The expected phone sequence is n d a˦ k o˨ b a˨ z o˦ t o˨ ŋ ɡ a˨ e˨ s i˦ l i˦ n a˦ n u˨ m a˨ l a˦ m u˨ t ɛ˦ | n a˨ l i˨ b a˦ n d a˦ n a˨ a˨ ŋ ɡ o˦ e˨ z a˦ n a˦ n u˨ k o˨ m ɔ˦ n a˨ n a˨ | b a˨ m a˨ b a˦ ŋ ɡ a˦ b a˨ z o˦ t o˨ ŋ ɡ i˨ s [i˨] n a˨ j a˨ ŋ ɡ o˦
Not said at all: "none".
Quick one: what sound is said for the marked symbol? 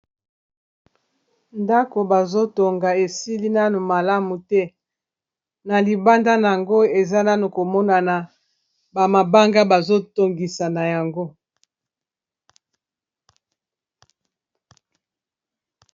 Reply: a˨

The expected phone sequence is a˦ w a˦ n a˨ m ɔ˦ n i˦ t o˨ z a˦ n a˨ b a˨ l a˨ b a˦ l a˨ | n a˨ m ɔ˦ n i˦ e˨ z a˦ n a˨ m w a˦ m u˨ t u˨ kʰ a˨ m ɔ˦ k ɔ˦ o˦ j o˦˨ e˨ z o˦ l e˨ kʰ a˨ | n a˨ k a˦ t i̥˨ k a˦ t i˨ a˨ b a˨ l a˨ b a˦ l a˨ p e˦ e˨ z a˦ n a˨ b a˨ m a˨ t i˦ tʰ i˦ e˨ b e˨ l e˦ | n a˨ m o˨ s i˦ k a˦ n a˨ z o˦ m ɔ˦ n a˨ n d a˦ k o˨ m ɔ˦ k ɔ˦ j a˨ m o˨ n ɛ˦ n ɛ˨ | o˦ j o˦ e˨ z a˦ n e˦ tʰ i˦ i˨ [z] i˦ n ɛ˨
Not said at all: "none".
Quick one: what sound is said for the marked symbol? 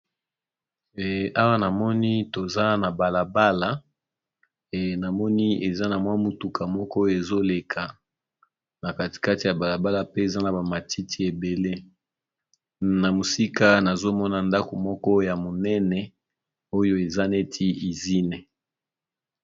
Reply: z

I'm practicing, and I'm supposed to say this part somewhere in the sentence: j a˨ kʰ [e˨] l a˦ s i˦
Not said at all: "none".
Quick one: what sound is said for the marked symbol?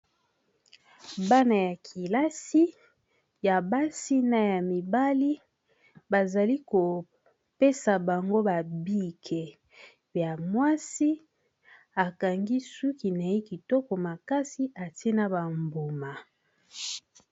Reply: i˨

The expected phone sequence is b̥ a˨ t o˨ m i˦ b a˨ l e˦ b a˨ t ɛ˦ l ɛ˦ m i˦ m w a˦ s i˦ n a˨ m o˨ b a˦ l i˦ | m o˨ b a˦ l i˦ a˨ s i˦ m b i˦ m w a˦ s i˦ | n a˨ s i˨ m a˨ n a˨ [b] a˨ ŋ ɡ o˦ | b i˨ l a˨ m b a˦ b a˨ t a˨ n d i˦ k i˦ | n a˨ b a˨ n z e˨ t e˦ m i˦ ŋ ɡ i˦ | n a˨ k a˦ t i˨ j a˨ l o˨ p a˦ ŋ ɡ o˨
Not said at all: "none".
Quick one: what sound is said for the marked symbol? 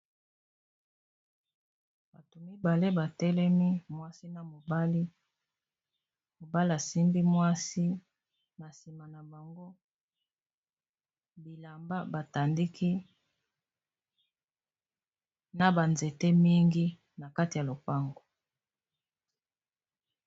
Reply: b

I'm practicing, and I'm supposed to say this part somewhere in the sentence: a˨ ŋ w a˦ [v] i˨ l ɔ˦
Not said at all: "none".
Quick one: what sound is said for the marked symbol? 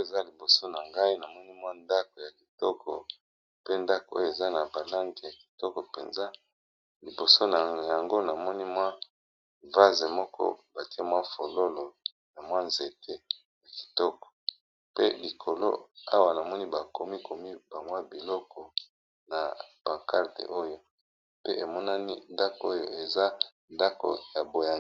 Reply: b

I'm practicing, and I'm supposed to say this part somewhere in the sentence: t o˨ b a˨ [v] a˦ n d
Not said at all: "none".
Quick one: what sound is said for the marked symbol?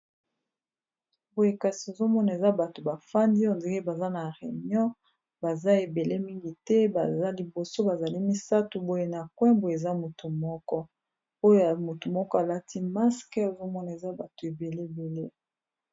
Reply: f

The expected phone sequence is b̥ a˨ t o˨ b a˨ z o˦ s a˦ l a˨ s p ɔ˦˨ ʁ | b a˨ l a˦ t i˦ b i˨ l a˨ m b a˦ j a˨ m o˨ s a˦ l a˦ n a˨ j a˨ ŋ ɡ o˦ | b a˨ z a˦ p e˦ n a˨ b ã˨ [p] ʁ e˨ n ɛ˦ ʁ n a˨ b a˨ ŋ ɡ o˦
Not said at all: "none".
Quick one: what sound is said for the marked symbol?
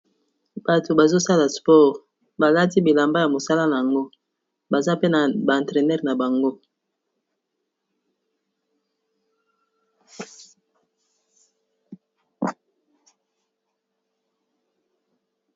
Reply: t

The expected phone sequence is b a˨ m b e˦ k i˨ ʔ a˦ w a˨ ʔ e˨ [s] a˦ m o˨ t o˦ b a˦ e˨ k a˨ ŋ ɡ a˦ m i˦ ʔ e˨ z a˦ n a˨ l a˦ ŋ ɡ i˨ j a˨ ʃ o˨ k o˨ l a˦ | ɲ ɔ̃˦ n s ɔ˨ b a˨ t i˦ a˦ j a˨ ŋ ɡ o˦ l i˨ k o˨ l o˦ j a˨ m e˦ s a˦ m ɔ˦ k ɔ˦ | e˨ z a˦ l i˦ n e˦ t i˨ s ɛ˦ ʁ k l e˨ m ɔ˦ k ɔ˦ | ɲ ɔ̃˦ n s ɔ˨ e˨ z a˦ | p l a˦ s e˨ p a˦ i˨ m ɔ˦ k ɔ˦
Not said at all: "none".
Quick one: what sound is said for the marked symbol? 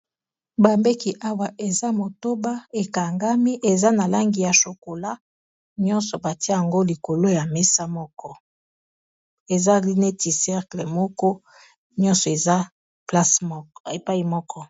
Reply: z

